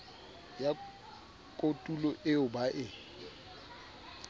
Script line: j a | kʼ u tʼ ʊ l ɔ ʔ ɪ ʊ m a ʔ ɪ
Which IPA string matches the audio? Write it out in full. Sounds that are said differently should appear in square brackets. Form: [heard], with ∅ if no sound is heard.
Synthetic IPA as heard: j a | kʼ [o] tʼ [u] l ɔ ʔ ɪ ʊ [b] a ʔ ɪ